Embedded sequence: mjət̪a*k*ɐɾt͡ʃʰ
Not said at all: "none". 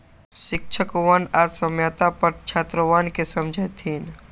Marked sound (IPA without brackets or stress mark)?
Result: p